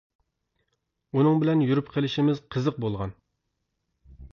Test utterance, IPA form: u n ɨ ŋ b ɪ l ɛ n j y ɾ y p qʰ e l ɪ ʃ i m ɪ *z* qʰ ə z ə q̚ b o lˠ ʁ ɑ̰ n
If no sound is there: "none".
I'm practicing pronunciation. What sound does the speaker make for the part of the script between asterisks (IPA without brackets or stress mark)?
z